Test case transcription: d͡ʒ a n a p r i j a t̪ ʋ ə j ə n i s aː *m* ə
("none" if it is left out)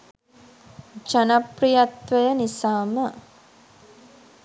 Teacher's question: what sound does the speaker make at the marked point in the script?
m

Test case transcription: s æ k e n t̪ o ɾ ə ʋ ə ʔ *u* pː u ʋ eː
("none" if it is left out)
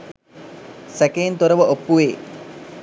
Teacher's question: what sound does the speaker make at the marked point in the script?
o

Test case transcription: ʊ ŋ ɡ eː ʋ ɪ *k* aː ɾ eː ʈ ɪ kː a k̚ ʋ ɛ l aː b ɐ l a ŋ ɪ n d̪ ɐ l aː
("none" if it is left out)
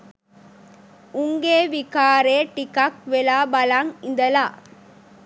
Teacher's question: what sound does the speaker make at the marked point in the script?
k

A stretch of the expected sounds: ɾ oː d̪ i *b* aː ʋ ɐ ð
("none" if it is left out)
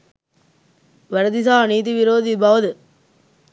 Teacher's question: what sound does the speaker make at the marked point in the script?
b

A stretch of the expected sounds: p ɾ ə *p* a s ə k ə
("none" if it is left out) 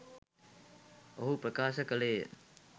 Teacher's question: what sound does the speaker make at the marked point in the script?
k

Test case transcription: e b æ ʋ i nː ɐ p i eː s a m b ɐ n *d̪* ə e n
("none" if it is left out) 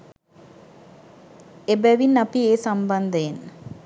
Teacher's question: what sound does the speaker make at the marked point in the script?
d̪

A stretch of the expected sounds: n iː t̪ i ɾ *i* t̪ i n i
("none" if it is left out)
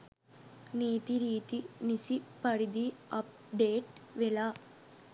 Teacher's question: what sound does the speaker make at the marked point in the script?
iː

